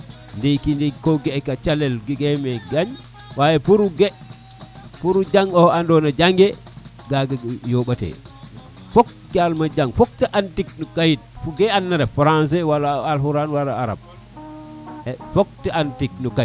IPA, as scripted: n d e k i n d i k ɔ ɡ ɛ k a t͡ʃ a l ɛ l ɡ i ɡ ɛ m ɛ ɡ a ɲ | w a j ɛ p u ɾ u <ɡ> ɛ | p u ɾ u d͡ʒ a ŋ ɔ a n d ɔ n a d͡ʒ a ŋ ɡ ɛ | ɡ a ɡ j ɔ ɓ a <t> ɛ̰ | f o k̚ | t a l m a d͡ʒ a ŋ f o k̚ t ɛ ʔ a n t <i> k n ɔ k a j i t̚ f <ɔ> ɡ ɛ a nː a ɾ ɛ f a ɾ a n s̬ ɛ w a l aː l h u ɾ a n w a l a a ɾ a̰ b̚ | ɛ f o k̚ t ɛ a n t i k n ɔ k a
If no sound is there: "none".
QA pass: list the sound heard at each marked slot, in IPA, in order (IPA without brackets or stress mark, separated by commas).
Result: ɡ, t, i, u